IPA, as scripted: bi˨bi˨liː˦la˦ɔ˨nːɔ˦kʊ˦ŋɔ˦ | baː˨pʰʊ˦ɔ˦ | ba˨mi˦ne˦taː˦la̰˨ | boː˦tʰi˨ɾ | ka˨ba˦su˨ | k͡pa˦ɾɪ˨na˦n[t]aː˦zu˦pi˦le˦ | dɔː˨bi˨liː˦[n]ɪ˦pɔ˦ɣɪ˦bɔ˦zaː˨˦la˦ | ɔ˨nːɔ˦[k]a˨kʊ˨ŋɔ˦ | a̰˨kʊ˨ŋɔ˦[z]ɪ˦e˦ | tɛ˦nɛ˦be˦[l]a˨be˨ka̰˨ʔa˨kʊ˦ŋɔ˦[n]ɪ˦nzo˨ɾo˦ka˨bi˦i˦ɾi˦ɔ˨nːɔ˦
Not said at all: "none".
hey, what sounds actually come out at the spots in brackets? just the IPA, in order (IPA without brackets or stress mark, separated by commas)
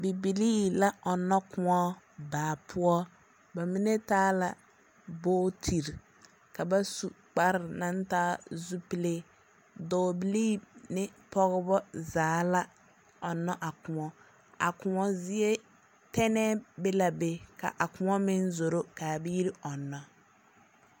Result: t, n, ʔ, z, l, m